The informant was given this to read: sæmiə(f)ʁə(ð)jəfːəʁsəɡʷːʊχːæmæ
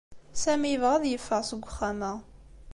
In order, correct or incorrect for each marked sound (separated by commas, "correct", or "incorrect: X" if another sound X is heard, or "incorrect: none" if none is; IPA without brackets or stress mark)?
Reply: incorrect: v, correct